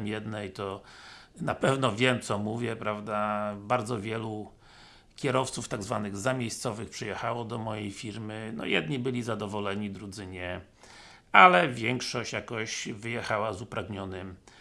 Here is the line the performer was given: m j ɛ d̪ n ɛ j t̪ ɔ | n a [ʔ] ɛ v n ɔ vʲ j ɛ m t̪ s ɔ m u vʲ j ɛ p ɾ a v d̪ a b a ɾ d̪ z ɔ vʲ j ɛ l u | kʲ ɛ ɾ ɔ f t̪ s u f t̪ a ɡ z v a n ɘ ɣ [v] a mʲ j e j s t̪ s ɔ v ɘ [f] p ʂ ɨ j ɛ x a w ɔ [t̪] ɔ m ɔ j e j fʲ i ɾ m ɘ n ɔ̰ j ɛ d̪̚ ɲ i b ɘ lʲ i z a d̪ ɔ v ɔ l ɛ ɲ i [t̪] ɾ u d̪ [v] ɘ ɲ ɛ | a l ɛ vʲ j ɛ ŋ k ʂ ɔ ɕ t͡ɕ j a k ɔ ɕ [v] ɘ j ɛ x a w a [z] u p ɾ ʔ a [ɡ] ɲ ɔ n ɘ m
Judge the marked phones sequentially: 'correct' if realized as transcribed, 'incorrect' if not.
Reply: incorrect: p, incorrect: z, incorrect: x, incorrect: d̪, incorrect: d̪, incorrect: z, correct, correct, correct

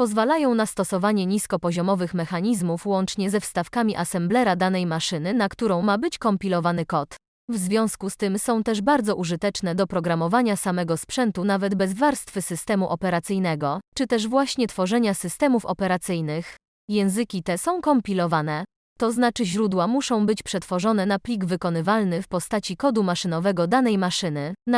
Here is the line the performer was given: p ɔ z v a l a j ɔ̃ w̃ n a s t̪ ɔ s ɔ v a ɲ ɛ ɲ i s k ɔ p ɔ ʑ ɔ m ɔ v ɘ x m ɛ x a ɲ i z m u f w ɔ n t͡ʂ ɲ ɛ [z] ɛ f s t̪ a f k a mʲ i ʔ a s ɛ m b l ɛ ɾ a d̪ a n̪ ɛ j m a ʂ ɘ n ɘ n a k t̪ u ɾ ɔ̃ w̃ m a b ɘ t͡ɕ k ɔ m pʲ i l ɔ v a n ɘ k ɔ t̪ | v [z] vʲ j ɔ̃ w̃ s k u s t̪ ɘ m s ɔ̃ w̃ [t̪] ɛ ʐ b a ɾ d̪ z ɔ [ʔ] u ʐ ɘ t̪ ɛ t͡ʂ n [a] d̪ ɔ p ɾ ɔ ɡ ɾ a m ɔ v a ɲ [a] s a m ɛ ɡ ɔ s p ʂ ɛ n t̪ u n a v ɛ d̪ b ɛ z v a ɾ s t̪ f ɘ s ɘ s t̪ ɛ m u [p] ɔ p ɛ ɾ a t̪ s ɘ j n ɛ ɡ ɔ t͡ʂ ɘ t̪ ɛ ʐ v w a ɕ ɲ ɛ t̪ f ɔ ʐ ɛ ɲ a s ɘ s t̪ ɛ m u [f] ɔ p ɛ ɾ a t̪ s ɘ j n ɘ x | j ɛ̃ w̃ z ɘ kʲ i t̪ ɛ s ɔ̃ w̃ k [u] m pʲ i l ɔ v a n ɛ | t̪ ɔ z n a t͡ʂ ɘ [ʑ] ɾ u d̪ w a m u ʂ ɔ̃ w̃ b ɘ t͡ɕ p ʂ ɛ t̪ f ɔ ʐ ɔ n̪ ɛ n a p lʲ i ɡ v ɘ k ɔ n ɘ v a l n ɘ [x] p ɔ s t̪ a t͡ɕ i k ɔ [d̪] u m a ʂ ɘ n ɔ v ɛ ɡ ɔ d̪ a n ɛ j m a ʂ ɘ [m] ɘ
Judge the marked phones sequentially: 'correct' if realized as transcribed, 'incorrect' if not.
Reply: correct, correct, correct, correct, incorrect: ɛ, correct, incorrect: ʔ, correct, incorrect: ɔ, correct, incorrect: f, correct, incorrect: n

